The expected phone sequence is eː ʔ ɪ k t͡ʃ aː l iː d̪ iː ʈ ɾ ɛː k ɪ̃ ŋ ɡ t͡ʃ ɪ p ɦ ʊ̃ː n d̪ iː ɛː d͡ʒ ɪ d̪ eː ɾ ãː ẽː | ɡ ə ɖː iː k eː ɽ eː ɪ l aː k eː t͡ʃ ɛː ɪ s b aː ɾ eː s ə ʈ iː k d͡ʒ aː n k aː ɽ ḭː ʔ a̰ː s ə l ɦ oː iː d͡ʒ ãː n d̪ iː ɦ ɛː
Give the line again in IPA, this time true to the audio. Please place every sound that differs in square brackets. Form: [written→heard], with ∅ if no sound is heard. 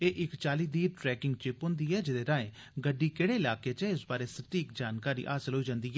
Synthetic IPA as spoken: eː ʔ ɪ k t͡ʃ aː l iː d̪ iː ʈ ɾ ɛː k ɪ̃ ŋ ɡ t͡ʃ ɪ p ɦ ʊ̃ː n d̪ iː ɛː d͡ʒ ɪ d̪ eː ɾ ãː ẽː | ɡ ə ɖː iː k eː ɽ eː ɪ l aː k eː t͡ʃ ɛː ɪ s b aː ɾ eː s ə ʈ iː k d͡ʒ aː n k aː [ɽ→ɾ] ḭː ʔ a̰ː s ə l ɦ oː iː d͡ʒ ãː n d̪ iː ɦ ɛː